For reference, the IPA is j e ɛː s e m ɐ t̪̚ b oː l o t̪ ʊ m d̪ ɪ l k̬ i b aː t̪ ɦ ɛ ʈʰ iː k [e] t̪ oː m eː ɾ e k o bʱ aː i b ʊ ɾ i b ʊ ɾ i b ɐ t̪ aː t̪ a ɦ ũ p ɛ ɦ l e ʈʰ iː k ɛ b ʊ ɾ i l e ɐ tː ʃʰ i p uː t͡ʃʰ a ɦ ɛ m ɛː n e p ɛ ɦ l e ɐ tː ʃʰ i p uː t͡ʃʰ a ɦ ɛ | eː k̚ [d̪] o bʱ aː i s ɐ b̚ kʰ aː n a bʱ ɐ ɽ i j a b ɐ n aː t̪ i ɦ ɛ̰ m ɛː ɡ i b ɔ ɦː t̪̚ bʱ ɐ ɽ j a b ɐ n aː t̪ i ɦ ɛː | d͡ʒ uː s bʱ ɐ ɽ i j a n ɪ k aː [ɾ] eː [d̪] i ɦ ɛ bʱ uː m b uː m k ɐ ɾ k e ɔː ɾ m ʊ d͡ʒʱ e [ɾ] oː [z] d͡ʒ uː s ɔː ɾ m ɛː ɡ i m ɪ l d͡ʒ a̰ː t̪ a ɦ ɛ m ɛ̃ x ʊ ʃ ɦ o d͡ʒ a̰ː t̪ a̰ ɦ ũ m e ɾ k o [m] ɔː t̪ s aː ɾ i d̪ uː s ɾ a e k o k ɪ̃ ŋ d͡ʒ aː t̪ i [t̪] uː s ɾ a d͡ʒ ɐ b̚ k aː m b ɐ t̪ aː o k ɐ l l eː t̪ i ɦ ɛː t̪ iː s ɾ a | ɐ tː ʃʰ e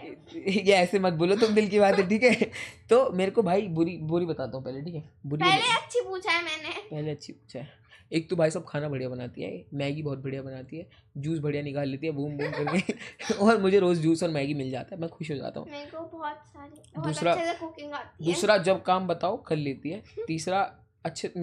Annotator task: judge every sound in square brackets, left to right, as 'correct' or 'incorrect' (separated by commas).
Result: incorrect, incorrect, incorrect, incorrect, correct, correct, incorrect, incorrect